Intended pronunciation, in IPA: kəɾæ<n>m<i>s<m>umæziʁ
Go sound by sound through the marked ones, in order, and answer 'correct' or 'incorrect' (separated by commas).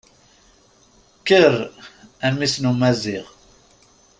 correct, correct, incorrect